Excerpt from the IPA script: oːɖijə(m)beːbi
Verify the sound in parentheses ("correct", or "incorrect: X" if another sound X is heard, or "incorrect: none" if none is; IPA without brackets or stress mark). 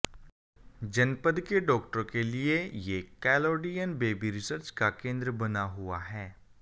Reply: incorrect: n